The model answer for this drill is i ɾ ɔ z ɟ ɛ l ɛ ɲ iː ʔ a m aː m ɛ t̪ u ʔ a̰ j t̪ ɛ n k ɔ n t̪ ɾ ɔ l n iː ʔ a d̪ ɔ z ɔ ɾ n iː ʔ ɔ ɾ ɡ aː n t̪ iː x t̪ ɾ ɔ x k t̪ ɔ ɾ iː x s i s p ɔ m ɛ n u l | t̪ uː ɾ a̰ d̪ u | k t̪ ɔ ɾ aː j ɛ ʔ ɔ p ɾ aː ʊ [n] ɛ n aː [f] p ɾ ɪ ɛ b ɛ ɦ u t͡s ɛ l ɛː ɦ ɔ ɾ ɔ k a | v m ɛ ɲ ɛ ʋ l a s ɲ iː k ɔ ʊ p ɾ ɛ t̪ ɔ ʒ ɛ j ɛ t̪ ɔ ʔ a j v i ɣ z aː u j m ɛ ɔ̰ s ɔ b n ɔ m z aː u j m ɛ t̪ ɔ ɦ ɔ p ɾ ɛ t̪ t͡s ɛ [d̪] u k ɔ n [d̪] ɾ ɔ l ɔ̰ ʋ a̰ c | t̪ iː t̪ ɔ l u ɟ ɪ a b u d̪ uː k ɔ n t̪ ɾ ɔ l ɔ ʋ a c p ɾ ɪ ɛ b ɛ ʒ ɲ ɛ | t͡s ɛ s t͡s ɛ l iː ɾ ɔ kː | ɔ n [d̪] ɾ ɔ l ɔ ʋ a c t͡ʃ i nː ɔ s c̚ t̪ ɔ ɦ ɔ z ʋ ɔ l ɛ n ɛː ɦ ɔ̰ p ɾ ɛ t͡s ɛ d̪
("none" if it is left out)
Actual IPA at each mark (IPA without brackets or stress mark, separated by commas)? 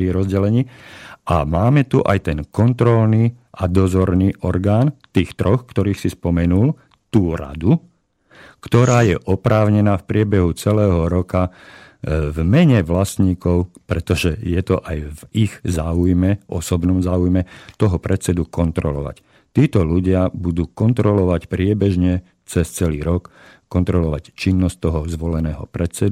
ɲ, f, d̪, t̪, t̪